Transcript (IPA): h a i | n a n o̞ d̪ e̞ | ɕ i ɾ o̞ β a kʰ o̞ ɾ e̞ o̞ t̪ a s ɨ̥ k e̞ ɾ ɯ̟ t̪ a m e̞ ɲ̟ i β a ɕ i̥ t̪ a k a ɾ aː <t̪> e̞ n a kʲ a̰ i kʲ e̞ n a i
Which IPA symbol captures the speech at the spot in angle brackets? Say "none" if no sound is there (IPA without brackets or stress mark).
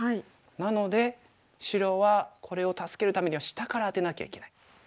t̪